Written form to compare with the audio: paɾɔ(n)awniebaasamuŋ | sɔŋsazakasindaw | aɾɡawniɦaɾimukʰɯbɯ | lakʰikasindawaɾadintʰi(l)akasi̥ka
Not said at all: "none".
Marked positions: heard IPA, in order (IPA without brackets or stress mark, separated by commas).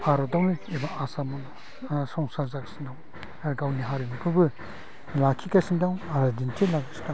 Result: d, l